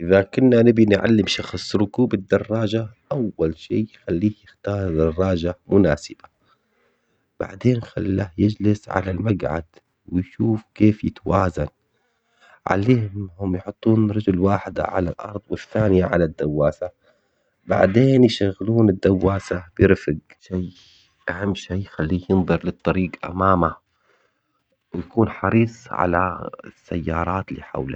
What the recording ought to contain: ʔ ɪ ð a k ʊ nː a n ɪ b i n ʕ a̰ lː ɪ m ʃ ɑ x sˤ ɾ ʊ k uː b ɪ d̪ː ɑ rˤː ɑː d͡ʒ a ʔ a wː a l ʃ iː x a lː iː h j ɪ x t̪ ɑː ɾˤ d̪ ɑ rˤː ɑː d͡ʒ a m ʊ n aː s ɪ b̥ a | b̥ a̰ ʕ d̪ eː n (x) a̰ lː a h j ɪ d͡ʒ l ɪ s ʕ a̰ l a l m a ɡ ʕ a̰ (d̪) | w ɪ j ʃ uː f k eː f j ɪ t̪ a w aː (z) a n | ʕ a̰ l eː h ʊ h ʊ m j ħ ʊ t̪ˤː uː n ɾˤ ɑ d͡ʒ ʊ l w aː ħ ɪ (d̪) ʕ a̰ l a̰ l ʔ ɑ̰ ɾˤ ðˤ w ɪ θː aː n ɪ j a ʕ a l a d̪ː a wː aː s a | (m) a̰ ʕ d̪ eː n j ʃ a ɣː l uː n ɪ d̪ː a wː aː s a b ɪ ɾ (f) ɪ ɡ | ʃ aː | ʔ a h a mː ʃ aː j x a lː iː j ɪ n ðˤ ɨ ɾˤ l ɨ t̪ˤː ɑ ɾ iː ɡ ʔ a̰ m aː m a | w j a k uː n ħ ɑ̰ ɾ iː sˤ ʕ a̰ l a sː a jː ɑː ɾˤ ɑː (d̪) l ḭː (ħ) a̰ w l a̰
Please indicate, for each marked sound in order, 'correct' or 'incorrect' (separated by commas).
correct, correct, correct, correct, incorrect, correct, incorrect, correct